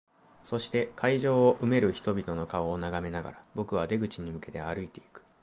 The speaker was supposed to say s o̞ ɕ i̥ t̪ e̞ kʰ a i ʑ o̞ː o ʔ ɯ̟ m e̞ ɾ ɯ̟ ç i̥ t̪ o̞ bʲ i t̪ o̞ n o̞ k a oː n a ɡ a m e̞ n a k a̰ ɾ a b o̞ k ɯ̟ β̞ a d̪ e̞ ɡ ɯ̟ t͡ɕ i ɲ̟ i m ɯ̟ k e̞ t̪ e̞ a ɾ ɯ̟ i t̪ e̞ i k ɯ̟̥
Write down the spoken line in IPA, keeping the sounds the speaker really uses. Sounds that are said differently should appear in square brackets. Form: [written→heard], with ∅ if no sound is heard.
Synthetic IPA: s o̞ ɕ i̥ t̪ e̞ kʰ a i ʑ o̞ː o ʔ ɯ̟ m e̞ ɾ ɯ̟ ç i̥ t̪ o̞ bʲ i t̪ o̞ n o̞ k a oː n a ɡ a m e̞ n a [k→ɡ] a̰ ɾ a b o̞ k ɯ̟ β̞ a d̪ e̞ ɡ ɯ̟ t͡ɕ i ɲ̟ i m ɯ̟ k e̞ t̪ e̞ a ɾ ɯ̟ i t̪ e̞ i k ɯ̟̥